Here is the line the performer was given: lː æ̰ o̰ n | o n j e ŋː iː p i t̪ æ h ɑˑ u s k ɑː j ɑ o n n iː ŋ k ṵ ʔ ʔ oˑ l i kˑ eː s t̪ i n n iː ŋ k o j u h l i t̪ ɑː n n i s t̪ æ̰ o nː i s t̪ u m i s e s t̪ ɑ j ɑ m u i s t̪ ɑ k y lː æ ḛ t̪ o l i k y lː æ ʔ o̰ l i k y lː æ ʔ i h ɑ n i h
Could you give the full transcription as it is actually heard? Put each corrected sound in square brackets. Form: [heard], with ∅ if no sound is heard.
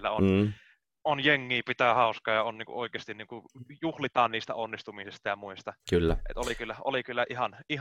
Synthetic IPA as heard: lː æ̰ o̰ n | o n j e ŋː iː p i t̪ æ h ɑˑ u s k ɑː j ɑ o n n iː ŋ k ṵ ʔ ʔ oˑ [∅] i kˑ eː s t̪ i n n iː ŋ k [u] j u h l i t̪ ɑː n n [iː] s t̪ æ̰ o nː i s t̪ u m i s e s t̪ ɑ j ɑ m u i s t̪ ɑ k y lː æ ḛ t̪ o l i k y lː æ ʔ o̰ l i k y lː æ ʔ i h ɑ n i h